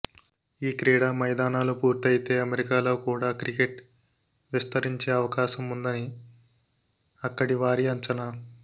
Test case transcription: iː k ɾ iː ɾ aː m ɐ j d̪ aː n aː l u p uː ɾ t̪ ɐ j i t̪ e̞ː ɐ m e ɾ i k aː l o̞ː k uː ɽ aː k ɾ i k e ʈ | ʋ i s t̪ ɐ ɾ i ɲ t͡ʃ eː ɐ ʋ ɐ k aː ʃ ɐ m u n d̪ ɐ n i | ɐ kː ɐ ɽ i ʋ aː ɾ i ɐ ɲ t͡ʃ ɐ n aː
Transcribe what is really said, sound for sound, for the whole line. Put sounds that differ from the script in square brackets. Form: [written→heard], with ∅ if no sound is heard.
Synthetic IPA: iː k ɾ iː [ɾ→ɽ] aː m ɐ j d̪ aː n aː l u p uː ɾ t̪ ɐ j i t̪ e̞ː ɐ m e ɾ i k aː l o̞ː k uː ɽ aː k ɾ i k e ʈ | ʋ i s t̪ ɐ ɾ i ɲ t͡ʃ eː ɐ ʋ ɐ k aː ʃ ɐ m u n d̪ ɐ n i | ɐ kː ɐ ɽ i ʋ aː ɾ i ɐ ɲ t͡ʃ ɐ n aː